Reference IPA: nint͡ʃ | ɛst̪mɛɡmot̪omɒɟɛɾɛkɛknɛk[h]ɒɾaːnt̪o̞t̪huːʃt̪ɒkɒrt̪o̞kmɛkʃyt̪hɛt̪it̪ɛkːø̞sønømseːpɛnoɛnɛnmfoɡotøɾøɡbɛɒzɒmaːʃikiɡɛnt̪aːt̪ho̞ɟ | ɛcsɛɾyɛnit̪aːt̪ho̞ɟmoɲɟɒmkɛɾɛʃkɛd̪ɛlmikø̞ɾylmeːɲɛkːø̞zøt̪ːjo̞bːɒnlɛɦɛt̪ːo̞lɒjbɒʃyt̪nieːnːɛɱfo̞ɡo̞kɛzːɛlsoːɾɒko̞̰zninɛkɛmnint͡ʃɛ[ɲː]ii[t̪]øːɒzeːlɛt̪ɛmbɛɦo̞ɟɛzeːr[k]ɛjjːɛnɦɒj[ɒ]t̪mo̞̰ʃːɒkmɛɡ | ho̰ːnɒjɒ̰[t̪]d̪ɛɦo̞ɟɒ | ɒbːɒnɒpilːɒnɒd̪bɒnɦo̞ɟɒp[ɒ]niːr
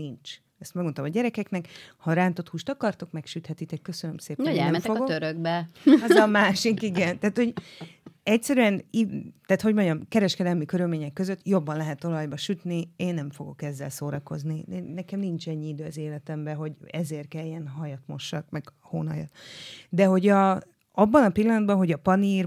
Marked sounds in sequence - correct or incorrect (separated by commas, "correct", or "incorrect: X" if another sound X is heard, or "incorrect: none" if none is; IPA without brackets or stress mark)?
correct, correct, incorrect: d̪, correct, correct, correct, correct